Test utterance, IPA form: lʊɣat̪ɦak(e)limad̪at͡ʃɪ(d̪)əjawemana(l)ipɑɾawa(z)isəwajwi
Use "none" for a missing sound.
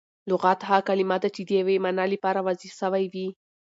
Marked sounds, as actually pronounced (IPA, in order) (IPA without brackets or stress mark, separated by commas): a, d̪, l, z